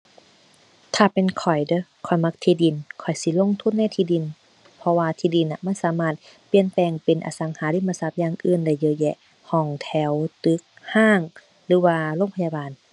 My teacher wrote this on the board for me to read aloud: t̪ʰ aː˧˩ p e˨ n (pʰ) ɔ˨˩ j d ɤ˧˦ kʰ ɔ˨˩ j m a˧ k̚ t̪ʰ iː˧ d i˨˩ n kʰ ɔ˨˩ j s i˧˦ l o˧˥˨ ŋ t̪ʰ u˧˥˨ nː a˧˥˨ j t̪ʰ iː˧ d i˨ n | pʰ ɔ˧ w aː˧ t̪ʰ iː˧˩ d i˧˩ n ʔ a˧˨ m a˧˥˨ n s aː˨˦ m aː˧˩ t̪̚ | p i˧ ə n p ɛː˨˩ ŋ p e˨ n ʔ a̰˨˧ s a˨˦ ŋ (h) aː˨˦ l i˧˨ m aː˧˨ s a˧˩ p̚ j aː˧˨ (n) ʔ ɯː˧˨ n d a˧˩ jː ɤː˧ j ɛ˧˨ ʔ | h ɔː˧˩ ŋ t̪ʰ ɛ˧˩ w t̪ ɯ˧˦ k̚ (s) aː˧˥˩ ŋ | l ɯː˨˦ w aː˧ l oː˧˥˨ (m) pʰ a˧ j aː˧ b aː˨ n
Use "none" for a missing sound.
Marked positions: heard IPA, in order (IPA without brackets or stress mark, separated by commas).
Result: kʰ, h, ŋ, h, ŋ